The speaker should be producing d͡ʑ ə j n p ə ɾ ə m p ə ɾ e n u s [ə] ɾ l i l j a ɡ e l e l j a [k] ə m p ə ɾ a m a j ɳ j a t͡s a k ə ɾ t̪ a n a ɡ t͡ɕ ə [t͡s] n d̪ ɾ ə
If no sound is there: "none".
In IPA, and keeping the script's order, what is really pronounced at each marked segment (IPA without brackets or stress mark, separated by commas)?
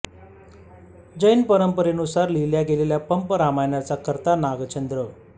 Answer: a, p, none